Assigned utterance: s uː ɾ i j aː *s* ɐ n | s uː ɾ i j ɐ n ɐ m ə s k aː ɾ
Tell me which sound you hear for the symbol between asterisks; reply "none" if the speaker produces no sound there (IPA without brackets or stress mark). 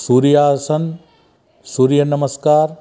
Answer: s